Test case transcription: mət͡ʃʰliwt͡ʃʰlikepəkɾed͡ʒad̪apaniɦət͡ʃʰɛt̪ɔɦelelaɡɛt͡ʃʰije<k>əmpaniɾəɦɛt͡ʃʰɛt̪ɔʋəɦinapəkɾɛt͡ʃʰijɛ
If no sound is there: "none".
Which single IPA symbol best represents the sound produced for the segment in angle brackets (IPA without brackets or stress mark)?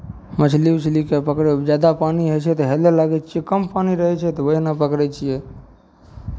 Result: k